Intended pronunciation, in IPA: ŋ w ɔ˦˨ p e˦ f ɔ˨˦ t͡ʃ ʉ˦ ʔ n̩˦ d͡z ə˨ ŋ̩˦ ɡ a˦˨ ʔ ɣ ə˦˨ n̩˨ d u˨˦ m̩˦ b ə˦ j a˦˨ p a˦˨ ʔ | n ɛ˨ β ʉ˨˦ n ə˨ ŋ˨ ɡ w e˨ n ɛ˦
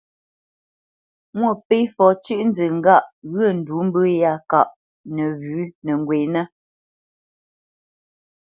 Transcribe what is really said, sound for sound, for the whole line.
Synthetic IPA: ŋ w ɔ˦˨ p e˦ f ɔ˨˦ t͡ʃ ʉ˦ ʔ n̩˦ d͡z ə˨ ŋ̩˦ ɡ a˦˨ ʔ ɣ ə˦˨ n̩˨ d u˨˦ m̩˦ b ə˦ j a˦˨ k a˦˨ ʔ | n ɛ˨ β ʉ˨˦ n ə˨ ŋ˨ ɡ w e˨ n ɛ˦